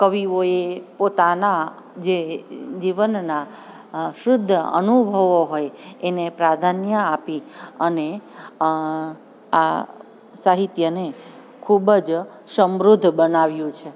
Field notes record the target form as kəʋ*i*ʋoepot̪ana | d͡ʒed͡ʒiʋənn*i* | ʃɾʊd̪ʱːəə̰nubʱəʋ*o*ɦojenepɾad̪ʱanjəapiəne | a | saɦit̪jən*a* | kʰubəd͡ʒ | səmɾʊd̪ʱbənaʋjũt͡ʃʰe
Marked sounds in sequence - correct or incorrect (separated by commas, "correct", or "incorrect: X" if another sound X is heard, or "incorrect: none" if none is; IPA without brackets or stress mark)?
correct, incorrect: a, correct, incorrect: e